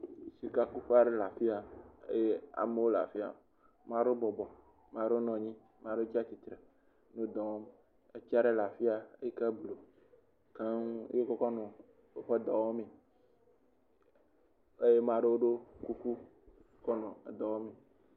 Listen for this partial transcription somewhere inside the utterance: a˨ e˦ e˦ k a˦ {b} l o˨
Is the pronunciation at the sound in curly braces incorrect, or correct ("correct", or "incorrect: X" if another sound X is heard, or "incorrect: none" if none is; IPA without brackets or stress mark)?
correct